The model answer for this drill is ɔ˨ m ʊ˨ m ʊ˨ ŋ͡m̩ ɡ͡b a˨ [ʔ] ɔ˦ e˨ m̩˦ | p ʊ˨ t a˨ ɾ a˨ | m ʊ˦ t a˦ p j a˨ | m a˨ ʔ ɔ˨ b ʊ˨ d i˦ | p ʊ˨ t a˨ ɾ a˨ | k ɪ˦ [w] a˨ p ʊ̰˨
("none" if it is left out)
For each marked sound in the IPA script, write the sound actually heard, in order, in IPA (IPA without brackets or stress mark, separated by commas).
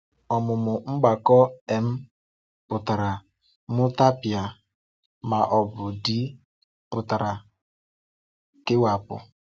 k, w